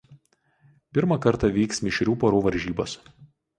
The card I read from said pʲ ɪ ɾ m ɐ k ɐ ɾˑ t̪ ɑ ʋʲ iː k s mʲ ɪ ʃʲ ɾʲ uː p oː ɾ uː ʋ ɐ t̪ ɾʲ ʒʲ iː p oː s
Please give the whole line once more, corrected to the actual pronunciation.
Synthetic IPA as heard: pʲ ɪ ɾ m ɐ k ɐ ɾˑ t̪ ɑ ʋʲ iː k s mʲ ɪ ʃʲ ɾʲ uː p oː ɾ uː ʋ ɐ ɾʲ ʒʲ iː b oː s